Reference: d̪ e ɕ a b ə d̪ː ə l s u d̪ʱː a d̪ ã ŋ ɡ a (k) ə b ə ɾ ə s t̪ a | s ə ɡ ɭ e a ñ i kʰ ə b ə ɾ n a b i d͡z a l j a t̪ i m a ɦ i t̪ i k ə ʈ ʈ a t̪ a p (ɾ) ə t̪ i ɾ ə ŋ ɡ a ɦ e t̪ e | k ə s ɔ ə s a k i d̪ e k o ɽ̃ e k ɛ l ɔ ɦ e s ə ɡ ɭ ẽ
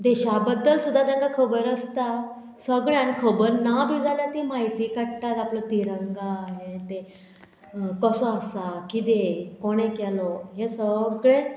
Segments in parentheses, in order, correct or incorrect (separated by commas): incorrect, incorrect